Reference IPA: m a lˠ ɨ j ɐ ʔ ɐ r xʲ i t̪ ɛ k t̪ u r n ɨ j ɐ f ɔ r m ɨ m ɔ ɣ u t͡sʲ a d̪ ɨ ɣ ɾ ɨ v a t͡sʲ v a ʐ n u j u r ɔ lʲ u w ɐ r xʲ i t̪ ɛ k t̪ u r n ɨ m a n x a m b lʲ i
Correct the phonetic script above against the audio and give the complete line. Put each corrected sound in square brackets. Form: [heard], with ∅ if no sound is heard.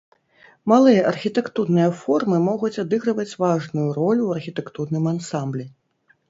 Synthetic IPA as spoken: m a lˠ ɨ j ɐ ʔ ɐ r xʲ i t̪ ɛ k t̪ u r n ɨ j ɐ f ɔ r m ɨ m ɔ ɣ u t͡sʲ a d̪ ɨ ɣ ɾ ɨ v [ɐ] t͡sʲ v a ʐ n u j u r ɔ lʲ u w ɐ r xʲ i t̪ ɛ k t̪ u r n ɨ m a n [s] a m b lʲ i